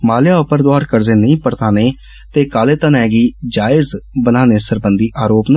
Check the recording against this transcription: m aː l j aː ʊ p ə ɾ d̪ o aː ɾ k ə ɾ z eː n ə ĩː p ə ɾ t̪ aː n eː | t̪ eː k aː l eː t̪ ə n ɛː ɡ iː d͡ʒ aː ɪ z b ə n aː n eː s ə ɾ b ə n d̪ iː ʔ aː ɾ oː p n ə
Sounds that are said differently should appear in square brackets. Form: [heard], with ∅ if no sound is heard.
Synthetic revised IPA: m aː l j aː ʊ p ə ɾ d̪ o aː ɾ k ə ɾ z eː n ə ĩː p ə ɾ t̪ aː n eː | t̪ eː k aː l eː t̪ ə n ɛː ɡ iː d͡ʒ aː ɪ z b ə n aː n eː s ə ɾ b ə n d̪ iː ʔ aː ɾ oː p n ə